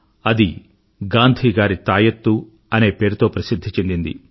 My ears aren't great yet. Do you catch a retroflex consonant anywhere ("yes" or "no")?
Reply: no